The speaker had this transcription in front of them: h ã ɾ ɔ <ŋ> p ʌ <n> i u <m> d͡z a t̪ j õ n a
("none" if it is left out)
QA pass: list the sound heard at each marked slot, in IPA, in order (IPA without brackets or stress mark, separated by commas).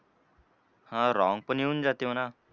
ŋ, n, n